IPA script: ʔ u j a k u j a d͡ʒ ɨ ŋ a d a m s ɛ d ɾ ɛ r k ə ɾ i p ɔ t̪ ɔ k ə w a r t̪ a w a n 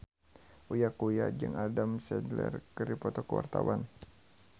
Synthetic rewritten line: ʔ u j a k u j a d͡ʒ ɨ ŋ a d a m s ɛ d l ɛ r k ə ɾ i p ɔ t̪ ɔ k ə w a r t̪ a w a n

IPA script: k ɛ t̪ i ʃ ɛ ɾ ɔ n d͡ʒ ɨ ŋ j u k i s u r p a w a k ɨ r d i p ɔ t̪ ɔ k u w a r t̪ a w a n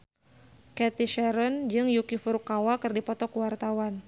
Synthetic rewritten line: k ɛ t̪ i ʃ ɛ ɾ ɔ n d͡ʒ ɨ ŋ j u k i f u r k a w a k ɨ r d i p ɔ t̪ ɔ k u w a r t̪ a w a n

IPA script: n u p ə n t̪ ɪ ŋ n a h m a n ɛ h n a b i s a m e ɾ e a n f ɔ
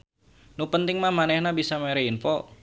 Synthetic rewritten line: n u p ə n t̪ ɪ ŋ m a h m a n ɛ h n a b i s a m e ɾ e i n f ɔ

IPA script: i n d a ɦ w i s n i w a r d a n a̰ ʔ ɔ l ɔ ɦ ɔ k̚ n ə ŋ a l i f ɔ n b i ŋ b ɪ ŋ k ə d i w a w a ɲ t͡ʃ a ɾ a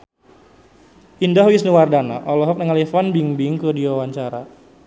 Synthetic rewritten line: i n d a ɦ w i s n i w a r d a n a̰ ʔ ɔ l ɔ ɦ ɔ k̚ n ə ŋ a l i f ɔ n b i ŋ b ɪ ŋ k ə d i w a w a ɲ t͡ʃ a ɾ a

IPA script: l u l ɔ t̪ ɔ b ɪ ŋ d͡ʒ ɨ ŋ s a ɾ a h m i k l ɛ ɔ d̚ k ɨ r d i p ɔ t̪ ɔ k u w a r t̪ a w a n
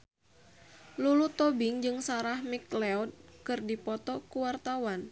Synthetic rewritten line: l u l u t̪ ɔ b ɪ ŋ d͡ʒ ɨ ŋ s a ɾ a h m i k l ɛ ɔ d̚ k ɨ r d i p ɔ t̪ ɔ k u w a r t̪ a w a n

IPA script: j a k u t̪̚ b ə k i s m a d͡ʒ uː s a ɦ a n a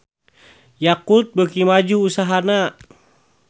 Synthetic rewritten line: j a k u t̪̚ b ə k i m a d͡ʒ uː s a ɦ a n a

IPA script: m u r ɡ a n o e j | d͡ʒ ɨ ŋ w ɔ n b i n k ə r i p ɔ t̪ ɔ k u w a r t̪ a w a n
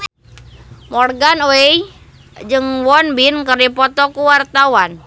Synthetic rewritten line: m ɔ r ɡ a n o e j | d͡ʒ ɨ ŋ w ɔ n b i n k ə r i p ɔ t̪ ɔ k u w a r t̪ a w a n

